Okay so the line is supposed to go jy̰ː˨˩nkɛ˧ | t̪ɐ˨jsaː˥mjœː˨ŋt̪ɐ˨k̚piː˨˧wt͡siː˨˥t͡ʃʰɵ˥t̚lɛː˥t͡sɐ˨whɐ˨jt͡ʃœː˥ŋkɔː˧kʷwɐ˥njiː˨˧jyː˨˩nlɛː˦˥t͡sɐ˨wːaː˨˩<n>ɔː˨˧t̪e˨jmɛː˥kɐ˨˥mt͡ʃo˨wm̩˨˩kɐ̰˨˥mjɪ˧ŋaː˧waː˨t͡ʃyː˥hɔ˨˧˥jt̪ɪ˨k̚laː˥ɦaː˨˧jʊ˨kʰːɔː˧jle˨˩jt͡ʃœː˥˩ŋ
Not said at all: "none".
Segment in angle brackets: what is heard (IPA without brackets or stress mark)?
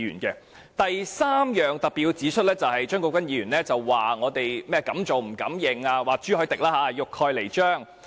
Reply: ŋ